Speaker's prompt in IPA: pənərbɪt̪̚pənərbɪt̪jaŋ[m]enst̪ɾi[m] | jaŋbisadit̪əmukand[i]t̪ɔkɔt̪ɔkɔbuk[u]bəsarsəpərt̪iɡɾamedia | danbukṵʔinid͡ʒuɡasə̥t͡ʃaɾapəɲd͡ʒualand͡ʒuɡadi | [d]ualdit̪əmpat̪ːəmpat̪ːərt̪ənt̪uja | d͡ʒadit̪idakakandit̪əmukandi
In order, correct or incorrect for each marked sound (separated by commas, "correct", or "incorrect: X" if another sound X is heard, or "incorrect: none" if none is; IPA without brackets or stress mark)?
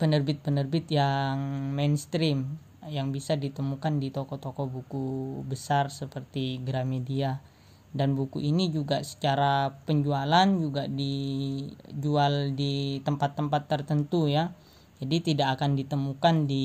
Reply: correct, correct, correct, correct, incorrect: d͡ʒ